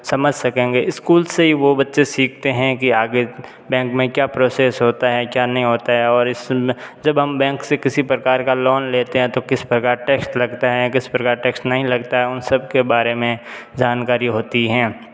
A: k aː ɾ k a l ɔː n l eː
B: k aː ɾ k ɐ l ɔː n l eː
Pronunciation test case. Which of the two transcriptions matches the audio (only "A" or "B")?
A